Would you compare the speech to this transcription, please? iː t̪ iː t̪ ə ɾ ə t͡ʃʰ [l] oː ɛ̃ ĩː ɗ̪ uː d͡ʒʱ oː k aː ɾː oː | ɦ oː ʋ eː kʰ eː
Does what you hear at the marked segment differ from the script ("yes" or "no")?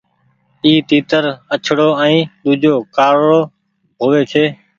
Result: yes